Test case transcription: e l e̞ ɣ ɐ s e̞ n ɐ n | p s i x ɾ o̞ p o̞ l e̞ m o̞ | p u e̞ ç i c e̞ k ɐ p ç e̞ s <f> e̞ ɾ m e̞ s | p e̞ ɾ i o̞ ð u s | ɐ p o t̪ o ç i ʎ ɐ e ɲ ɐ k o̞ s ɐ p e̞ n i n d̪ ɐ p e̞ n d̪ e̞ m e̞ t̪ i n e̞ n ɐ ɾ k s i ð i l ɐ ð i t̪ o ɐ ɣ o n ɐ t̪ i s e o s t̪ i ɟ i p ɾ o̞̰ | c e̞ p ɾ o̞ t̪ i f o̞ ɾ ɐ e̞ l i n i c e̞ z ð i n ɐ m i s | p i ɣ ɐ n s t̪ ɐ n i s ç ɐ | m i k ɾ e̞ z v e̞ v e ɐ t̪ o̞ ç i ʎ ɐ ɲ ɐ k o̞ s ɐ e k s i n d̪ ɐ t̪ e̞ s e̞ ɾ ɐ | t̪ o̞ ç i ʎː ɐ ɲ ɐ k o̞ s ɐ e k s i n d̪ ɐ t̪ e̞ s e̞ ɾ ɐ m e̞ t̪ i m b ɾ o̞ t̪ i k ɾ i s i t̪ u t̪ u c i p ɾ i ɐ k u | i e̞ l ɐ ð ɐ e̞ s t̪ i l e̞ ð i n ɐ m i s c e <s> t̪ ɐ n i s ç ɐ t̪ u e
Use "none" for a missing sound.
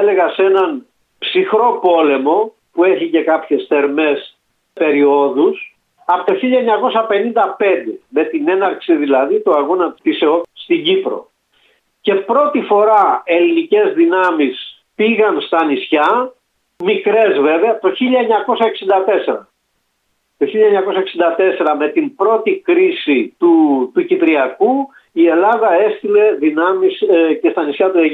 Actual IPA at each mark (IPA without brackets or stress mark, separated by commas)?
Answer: θ, s